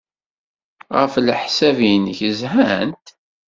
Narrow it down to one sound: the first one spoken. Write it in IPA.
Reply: ʁ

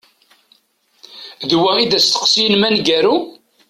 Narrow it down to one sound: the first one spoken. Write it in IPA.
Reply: ð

